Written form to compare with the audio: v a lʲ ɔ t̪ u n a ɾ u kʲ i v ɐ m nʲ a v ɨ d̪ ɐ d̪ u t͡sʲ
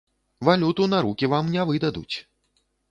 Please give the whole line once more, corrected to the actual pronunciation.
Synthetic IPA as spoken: v a lʲ u t̪ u n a ɾ u kʲ i v a m nʲ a v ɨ d̪ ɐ d̪ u t͡sʲ